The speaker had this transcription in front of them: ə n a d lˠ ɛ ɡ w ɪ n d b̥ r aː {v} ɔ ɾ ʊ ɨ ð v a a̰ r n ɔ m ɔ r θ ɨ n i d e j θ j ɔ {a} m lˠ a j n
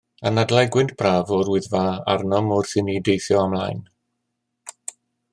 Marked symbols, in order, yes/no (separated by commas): yes, yes